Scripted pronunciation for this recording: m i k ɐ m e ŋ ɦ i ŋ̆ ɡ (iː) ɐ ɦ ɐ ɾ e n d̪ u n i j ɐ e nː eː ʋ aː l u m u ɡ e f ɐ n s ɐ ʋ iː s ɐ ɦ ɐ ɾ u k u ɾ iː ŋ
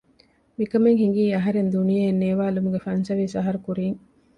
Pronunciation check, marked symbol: correct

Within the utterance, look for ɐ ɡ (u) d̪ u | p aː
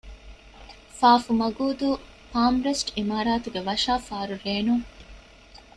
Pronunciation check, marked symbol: incorrect: uː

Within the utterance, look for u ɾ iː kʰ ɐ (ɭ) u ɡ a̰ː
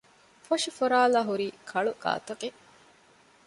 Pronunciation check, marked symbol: correct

